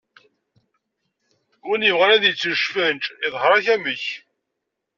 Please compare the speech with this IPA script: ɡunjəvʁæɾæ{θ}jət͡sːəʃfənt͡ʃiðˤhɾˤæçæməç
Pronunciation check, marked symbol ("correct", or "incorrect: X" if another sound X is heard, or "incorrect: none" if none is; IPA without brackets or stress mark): incorrect: ð